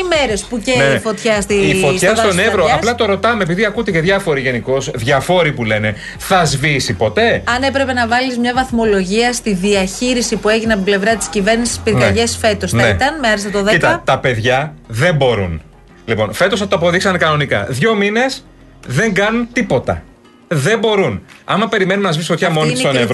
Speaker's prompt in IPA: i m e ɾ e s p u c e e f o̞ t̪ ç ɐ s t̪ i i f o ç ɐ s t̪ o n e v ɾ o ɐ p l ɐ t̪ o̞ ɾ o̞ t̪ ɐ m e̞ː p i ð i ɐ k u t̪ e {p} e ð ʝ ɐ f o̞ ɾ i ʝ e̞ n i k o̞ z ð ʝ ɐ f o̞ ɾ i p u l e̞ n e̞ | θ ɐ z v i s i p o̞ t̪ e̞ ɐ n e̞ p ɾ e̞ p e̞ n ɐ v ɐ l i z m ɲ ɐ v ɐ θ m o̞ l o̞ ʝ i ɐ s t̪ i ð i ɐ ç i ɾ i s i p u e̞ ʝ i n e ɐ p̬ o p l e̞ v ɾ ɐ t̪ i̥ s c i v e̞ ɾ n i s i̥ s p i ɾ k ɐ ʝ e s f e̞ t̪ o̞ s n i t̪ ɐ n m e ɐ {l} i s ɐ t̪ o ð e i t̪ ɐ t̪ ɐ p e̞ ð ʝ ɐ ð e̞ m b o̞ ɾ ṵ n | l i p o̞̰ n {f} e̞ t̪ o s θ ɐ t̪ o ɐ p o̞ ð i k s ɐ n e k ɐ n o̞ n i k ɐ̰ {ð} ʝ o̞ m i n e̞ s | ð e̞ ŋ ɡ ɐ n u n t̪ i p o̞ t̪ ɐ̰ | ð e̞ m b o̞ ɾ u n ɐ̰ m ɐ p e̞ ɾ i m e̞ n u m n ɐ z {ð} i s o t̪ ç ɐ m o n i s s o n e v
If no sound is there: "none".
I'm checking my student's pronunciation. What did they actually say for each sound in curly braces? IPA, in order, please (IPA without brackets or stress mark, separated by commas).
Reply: c, ɾ, f, ð, v